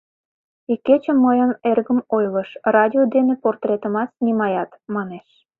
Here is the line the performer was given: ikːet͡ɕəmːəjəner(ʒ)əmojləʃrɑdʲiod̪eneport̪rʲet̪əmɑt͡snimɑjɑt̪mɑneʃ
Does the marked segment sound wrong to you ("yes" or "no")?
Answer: yes